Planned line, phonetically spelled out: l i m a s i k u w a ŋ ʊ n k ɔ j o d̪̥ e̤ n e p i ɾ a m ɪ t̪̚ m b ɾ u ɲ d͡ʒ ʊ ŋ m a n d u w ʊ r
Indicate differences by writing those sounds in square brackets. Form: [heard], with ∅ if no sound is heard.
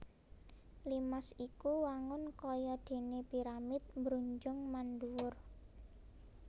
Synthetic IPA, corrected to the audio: l i m a s i k u w a ŋ ʊ n k ɔ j [ɔ] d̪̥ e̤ n e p i ɾ a m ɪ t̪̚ m b ɾ u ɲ d͡ʒ ʊ ŋ m a n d u w ʊ r